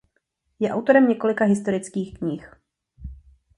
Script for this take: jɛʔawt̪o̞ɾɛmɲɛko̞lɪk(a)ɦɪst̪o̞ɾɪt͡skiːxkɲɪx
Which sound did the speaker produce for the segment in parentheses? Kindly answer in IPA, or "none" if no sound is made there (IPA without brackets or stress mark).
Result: a